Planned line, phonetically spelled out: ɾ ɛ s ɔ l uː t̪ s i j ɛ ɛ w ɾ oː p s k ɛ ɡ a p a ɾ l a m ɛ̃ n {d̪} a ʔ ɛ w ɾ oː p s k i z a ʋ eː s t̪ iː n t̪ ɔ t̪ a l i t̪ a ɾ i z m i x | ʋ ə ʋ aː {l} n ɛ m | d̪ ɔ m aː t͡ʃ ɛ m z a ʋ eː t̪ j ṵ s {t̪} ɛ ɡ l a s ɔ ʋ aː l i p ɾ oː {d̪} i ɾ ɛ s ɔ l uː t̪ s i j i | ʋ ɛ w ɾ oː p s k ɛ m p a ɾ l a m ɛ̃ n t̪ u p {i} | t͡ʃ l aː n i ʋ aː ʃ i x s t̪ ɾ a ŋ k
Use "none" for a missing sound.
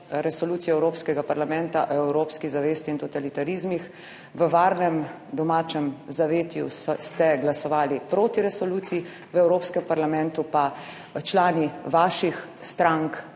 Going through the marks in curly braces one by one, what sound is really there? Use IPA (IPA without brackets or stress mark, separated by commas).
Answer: t̪, ɾ, t̪, t̪, a